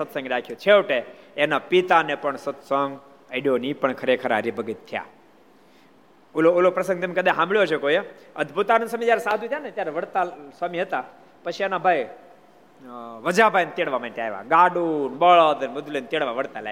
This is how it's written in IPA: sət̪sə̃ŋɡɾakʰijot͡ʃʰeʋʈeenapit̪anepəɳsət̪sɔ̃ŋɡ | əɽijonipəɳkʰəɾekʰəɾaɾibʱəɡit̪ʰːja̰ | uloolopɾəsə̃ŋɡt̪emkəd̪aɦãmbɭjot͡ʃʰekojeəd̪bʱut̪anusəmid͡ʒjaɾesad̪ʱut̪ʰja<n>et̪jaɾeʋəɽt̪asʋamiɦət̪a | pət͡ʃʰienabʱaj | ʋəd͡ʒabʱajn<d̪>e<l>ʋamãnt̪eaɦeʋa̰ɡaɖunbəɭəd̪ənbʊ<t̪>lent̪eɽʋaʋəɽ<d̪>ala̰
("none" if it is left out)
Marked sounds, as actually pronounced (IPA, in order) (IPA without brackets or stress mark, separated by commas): n, t̪, ɽ, d̪, t̪